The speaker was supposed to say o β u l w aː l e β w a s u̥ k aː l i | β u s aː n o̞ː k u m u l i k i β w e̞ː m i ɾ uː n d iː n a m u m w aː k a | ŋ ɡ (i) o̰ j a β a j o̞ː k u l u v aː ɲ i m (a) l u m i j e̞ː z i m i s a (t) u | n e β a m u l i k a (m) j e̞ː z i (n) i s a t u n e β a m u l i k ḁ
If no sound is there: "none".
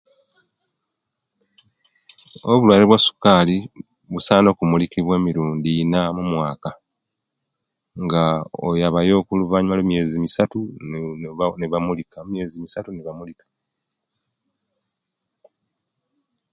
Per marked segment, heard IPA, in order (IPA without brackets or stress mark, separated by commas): a, a, t, m, m